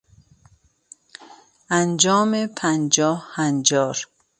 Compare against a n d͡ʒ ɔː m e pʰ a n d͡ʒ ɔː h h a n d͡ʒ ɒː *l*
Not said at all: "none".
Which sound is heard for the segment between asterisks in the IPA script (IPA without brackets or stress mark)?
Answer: ɾ